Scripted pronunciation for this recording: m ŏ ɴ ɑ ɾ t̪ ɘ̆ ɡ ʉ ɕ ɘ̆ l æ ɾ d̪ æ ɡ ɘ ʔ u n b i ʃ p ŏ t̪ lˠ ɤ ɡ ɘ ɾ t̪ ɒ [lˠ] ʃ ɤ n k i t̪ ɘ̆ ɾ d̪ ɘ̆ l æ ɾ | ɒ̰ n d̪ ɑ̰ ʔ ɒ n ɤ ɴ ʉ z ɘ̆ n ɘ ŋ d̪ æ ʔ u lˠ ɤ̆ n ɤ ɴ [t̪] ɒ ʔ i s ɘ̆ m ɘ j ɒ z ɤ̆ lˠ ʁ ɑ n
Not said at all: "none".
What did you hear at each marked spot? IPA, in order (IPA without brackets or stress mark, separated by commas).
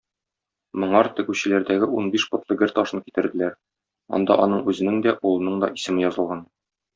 none, d̪